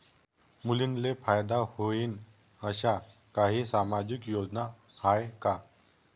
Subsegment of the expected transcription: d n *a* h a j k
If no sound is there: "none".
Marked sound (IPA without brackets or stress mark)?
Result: a